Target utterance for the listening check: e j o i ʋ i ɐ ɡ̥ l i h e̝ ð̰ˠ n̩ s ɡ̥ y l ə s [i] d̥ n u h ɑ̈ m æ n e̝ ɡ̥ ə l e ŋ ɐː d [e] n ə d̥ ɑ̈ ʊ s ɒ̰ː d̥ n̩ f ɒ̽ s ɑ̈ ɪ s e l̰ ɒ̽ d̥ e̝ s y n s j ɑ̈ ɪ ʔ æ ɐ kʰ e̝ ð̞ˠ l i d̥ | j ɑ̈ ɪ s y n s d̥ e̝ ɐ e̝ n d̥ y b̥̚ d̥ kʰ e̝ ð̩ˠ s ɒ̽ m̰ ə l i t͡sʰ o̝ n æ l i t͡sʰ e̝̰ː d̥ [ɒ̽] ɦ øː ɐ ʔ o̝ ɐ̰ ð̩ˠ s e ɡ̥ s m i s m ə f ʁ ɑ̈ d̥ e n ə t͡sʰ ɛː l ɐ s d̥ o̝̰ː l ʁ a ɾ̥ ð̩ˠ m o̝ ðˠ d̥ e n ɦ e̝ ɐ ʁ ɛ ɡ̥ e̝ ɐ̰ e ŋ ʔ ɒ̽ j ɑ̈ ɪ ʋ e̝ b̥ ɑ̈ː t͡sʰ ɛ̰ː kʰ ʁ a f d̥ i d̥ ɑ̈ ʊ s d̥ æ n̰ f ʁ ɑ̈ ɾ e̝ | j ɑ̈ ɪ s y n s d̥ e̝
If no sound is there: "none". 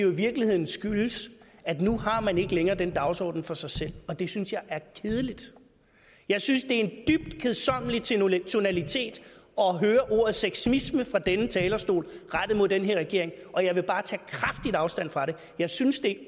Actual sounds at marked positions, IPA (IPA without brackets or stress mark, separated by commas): æ, e, ɒ̽